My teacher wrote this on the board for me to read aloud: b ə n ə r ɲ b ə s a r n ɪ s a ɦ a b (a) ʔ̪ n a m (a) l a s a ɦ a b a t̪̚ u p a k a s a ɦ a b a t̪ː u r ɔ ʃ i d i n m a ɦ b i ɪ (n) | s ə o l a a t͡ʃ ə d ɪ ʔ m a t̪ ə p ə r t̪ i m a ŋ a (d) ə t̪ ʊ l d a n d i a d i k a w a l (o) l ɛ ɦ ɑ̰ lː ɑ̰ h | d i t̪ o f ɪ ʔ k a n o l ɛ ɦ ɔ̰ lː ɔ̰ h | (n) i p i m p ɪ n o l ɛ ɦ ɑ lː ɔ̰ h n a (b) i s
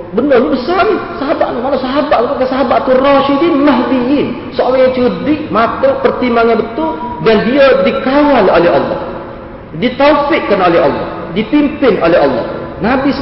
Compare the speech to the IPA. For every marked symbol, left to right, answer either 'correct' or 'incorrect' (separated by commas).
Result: correct, correct, correct, incorrect, correct, incorrect, correct